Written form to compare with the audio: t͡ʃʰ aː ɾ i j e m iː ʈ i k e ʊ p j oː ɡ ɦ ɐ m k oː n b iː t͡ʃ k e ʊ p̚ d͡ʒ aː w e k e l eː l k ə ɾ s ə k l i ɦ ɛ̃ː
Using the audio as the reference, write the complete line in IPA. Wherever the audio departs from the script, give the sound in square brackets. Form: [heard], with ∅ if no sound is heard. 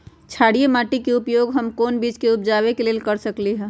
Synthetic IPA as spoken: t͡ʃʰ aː [ɽ] i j e m [aː] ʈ i k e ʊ p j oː ɡ ɦ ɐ m k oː n b iː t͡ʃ k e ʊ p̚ d͡ʒ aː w e k e l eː l k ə ɾ s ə k l i ɦ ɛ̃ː